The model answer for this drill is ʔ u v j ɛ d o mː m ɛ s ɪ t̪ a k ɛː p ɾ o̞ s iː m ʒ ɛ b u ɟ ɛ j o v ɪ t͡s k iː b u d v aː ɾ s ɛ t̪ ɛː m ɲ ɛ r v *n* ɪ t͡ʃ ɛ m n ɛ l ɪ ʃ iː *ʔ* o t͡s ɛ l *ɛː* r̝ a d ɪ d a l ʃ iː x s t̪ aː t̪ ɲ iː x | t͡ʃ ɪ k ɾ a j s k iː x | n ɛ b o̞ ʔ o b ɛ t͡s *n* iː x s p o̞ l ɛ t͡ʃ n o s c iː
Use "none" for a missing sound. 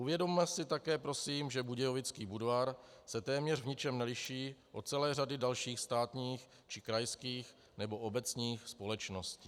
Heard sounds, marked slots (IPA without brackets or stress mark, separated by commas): ɲ, ʔ, ɛː, ɲ